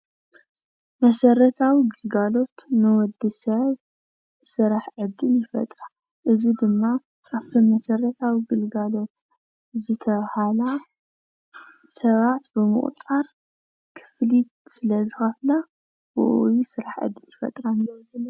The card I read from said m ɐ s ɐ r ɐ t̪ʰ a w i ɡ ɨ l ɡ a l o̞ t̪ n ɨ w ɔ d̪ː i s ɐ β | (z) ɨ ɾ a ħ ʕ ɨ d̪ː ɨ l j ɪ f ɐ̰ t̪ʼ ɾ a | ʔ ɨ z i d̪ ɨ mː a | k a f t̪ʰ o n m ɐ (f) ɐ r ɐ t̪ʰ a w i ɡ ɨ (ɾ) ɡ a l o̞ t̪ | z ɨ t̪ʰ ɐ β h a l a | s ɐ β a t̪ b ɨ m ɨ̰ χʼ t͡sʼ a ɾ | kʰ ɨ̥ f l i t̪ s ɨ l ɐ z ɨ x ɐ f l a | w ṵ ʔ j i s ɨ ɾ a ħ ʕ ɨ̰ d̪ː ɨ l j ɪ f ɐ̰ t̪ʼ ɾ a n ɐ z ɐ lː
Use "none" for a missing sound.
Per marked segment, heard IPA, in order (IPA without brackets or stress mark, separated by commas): s, s, l